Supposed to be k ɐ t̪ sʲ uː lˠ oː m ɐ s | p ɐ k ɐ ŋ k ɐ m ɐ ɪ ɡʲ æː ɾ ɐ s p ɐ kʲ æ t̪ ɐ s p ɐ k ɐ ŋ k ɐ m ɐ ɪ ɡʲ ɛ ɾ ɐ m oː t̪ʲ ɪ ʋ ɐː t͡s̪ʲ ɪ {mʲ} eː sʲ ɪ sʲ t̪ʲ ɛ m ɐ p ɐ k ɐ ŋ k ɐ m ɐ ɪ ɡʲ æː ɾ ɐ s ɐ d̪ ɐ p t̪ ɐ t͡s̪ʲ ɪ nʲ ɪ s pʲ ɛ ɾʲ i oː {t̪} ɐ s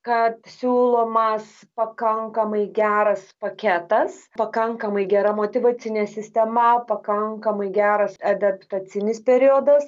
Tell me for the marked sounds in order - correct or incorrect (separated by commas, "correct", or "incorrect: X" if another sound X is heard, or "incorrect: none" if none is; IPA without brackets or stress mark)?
incorrect: nʲ, incorrect: d̪